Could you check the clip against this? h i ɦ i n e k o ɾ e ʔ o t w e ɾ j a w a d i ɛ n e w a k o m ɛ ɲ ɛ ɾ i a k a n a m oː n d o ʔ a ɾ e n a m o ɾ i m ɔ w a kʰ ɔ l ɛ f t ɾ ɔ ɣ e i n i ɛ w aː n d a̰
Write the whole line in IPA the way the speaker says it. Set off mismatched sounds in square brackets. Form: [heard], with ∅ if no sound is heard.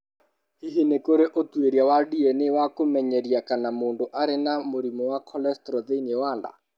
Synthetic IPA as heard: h i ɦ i n e k o ɾ e ʔ o t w e ɾ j a w a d i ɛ n e w a k o m ɛ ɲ ɛ ɾ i a k a n a m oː n d o ʔ a ɾ e n a m o ɾ i m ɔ w a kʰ ɔ l ɛ [s] t ɾ ɔ [ð] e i n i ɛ w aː n d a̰